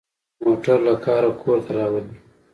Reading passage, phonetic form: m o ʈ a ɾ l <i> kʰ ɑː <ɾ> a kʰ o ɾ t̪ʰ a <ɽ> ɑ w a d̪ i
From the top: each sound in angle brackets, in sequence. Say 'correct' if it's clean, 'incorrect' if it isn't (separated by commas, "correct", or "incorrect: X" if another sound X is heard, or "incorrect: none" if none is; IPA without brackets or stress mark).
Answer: incorrect: a, correct, incorrect: ɾ